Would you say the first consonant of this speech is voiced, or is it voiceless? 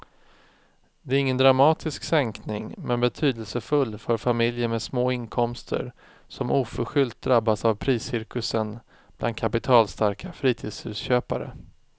voiced